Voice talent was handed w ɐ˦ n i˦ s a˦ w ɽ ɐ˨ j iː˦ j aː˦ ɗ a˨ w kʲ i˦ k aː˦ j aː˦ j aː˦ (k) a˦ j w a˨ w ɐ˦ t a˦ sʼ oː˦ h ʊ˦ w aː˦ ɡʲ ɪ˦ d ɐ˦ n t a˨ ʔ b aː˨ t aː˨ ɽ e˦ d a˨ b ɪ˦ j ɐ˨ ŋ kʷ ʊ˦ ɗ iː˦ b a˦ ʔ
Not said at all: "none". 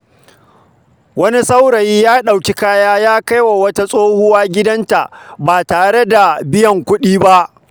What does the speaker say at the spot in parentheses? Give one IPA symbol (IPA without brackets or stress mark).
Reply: k